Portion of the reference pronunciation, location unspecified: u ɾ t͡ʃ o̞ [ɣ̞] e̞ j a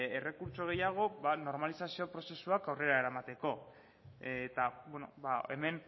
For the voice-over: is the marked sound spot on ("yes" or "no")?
yes